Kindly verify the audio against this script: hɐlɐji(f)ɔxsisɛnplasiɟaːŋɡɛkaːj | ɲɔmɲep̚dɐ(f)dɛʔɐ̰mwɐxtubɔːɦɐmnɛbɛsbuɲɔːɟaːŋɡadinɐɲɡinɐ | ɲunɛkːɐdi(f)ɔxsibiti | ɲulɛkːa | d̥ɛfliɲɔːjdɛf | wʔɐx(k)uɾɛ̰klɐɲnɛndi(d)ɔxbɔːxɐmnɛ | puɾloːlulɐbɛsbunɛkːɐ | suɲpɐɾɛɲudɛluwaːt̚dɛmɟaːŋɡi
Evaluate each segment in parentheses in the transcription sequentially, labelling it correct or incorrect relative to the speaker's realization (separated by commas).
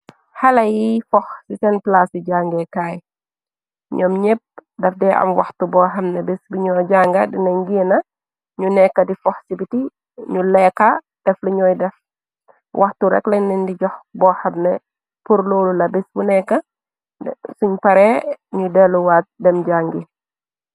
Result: correct, correct, correct, incorrect, incorrect